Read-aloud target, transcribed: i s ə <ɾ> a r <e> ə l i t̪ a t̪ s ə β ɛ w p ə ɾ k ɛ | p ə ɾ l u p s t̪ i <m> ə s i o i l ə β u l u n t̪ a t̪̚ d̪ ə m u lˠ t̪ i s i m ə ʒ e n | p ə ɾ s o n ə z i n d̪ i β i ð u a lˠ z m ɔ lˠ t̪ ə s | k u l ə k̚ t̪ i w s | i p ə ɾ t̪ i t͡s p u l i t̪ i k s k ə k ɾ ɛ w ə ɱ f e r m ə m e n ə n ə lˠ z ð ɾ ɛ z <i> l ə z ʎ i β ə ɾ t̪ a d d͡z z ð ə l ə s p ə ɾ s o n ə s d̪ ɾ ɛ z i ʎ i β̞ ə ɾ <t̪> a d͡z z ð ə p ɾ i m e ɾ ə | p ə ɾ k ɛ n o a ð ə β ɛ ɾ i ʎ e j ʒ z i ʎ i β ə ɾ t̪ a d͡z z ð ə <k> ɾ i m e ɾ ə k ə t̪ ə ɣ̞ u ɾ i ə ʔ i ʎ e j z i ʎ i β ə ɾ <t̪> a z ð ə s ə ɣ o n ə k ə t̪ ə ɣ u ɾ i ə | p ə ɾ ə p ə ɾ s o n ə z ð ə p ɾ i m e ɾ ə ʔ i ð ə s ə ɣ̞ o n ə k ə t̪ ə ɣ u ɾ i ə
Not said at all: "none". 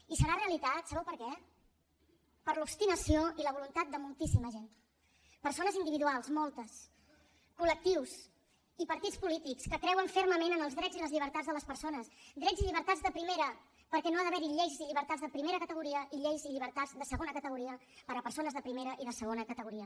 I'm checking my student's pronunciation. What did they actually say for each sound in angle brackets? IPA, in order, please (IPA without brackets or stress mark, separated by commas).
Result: ɾ, e, n, i, t̪, p, t̪